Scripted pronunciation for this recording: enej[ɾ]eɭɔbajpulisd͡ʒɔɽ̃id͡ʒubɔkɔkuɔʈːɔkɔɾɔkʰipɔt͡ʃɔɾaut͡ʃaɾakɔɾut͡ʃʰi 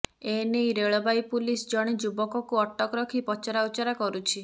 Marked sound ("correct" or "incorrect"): correct